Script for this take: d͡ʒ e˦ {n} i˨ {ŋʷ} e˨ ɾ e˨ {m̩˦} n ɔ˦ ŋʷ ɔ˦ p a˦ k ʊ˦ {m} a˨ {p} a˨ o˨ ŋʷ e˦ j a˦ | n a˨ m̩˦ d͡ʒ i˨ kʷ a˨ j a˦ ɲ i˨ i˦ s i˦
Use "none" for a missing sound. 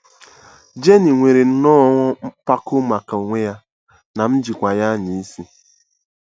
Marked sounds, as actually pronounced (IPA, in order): n, ŋʷ, n̩˦, m, k

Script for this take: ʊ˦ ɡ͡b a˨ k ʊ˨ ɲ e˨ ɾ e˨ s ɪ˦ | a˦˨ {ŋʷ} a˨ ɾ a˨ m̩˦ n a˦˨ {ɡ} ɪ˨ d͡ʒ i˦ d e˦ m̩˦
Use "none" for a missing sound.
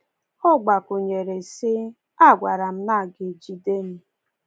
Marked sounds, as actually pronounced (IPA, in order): ɡʷ, ɡ

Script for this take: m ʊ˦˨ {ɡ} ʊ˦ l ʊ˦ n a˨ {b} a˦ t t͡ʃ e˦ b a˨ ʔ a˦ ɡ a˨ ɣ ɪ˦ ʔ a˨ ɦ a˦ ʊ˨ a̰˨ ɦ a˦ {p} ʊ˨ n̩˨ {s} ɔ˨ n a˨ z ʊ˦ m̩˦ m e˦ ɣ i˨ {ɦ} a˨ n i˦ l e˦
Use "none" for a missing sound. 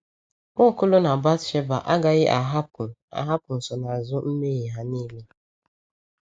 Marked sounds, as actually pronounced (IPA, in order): k, b, p, s, ɦ

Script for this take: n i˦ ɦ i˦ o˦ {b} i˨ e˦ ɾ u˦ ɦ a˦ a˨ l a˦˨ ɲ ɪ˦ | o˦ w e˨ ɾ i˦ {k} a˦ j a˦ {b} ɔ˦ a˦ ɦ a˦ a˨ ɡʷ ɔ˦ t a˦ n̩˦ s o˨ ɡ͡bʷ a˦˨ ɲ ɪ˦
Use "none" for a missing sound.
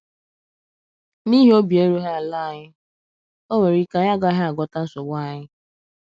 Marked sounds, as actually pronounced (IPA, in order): b, k, ɡ

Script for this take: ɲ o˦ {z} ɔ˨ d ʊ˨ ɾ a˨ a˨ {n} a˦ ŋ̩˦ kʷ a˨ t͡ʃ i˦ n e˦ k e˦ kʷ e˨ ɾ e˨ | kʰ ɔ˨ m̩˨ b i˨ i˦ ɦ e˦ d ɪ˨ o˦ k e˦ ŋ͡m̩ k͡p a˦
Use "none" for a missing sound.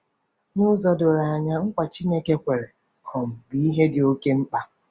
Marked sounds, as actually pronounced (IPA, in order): z, ɲ

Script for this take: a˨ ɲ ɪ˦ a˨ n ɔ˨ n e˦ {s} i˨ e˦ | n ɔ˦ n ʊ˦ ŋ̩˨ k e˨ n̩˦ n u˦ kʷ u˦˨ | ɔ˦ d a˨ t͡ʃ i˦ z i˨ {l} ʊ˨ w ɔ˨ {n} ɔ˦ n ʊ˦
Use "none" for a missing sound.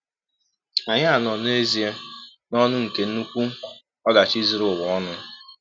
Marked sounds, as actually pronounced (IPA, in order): z, ɾ, none

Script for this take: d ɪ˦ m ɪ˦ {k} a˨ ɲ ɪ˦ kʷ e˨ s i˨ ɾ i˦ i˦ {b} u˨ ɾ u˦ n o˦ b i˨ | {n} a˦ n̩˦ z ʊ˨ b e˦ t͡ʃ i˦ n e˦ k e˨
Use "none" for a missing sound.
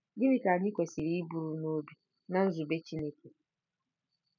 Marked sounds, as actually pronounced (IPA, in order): k, b, n

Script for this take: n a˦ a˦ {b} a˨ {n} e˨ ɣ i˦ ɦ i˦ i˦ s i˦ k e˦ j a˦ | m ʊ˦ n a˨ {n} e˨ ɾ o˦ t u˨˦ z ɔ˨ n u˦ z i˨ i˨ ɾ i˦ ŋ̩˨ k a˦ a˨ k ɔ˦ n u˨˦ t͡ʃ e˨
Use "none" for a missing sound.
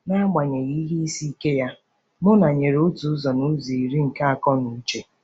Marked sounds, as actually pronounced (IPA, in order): ɡ͡b, ɲ, ɲ

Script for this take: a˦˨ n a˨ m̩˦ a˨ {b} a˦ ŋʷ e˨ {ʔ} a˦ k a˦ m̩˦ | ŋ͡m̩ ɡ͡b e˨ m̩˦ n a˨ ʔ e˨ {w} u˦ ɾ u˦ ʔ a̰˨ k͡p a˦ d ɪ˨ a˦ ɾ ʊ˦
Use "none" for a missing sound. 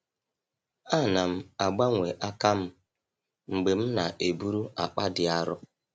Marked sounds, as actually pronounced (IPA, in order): ɡ͡b, ʔ, b

